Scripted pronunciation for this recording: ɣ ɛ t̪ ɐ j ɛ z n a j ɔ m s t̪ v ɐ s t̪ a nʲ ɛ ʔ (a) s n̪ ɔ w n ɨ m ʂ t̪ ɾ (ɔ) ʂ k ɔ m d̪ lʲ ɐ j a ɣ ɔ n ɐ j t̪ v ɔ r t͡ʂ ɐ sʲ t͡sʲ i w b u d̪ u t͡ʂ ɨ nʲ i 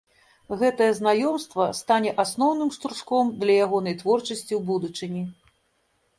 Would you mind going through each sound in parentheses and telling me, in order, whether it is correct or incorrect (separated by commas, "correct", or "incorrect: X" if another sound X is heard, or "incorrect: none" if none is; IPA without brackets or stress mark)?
correct, incorrect: u